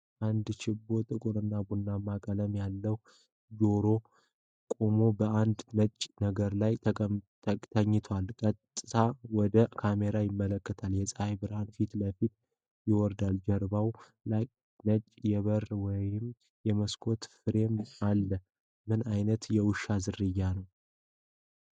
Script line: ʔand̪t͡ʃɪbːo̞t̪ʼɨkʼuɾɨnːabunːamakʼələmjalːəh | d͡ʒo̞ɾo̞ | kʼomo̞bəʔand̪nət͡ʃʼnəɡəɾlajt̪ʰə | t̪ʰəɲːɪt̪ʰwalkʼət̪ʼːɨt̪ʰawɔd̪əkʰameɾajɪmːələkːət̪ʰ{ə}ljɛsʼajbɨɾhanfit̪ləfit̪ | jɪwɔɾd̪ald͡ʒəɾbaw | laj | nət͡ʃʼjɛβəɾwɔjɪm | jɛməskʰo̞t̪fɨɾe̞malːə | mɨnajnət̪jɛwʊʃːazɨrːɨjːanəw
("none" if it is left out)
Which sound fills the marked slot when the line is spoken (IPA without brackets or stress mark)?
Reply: a